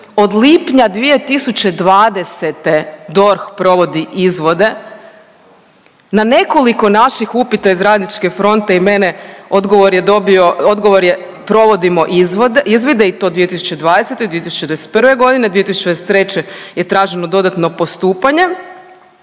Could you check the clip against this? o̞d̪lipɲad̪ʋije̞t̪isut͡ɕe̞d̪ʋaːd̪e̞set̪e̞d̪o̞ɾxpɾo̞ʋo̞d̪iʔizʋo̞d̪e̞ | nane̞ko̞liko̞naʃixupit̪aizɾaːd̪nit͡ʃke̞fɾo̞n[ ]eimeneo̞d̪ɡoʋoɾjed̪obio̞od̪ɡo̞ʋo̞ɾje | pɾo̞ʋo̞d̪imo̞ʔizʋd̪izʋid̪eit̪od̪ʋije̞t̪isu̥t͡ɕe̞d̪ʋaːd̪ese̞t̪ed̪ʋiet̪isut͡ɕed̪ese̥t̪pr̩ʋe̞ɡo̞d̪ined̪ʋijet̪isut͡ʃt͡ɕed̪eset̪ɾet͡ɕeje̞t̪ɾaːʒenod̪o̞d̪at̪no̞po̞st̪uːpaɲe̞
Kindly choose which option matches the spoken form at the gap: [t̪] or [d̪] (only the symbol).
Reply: t̪